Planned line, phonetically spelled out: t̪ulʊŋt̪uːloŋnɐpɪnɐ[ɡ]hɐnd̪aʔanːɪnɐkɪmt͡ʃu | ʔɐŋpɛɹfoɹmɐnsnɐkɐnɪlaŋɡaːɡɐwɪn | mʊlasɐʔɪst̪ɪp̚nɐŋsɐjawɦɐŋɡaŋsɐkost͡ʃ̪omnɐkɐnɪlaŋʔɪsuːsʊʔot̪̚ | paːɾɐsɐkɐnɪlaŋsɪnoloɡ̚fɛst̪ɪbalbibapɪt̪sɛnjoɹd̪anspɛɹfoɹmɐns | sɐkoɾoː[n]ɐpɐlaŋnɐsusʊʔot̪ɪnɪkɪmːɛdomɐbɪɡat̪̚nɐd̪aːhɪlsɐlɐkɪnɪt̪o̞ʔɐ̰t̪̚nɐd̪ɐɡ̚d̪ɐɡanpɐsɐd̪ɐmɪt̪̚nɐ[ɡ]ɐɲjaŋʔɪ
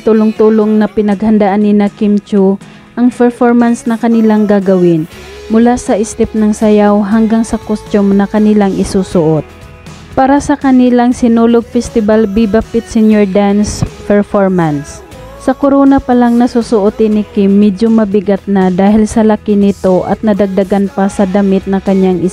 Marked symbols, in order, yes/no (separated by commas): yes, yes, no